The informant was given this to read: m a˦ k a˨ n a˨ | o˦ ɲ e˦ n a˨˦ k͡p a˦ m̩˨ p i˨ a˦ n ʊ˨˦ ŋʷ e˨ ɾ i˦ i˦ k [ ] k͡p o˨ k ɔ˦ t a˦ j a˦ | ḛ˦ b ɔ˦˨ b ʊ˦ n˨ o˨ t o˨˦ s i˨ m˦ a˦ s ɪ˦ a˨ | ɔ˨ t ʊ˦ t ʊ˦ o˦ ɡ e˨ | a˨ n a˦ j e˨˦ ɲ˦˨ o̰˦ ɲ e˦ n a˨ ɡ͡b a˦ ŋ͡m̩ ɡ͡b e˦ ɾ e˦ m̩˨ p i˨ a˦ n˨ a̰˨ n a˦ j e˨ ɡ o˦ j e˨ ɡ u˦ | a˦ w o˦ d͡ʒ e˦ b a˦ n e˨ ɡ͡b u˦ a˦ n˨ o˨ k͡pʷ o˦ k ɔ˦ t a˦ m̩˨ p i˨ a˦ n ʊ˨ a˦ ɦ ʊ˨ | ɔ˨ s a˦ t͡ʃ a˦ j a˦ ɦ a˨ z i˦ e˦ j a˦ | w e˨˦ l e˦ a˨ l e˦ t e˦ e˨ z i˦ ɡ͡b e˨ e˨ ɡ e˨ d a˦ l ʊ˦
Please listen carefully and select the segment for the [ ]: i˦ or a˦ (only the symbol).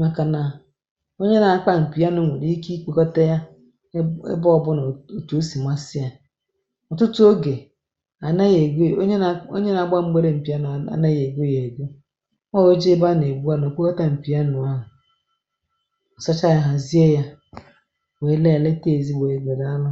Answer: i˦